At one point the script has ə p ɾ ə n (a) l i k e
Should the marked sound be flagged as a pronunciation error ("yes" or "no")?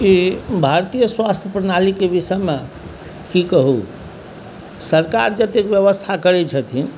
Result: no